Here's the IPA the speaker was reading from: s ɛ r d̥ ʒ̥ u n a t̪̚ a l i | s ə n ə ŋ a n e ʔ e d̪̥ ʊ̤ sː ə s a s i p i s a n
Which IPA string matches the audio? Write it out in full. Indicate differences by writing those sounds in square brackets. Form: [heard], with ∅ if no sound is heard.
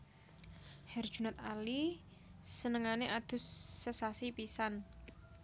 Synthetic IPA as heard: [h] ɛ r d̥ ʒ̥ u n a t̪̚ a l i | s ə n ə ŋ a n e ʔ [a] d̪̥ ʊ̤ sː ə s a s i p i s a n